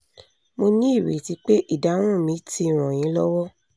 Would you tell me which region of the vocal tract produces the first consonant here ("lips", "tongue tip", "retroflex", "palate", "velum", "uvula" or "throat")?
lips